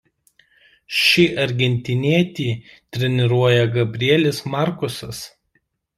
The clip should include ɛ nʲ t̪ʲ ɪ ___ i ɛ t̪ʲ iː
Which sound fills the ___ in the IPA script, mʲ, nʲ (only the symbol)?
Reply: nʲ